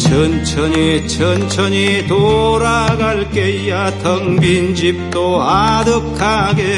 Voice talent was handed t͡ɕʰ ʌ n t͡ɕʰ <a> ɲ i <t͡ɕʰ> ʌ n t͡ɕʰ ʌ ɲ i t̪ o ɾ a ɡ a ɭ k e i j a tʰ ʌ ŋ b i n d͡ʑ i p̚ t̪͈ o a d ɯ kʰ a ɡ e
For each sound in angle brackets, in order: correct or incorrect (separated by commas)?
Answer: incorrect, correct